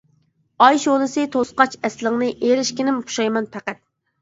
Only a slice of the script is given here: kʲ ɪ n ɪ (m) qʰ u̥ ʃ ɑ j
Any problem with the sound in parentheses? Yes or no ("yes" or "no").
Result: no